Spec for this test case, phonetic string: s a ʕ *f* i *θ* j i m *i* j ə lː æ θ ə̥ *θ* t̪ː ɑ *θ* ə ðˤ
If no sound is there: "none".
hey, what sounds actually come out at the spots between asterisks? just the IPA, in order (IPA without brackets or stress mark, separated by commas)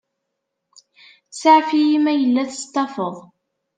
f, none, æ, s, f